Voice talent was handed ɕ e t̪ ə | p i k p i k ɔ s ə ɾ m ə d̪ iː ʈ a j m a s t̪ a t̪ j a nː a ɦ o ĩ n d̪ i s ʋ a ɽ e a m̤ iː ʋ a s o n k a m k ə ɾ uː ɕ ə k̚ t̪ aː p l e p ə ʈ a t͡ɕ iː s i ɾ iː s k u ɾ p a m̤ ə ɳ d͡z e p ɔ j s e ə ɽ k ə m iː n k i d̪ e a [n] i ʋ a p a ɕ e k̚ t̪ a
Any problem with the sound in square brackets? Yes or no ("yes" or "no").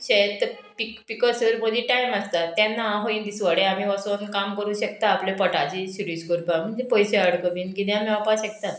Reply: yes